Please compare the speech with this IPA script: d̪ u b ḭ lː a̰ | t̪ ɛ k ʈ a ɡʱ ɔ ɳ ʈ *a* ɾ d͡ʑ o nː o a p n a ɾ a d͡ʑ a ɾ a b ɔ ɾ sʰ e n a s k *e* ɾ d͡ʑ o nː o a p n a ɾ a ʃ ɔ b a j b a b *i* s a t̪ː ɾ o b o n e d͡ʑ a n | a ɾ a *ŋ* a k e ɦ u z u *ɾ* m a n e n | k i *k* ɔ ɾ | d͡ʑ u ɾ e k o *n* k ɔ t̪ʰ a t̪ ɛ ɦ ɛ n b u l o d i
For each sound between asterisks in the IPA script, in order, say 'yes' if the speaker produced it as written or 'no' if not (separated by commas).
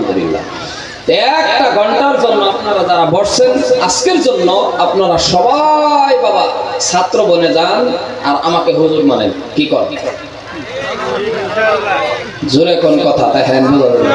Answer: yes, yes, no, no, yes, yes, yes